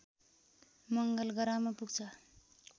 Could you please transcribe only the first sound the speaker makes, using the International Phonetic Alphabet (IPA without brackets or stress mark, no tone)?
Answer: m